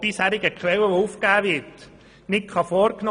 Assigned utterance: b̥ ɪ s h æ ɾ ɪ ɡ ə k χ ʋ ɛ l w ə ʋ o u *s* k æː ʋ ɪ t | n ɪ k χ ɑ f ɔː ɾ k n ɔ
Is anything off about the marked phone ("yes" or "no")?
yes